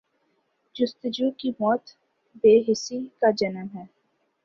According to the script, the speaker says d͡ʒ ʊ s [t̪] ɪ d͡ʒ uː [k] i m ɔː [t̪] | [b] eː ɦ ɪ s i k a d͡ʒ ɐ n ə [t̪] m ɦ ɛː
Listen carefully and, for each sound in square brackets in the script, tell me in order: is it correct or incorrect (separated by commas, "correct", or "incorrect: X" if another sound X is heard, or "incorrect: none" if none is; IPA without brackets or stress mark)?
correct, correct, correct, correct, incorrect: none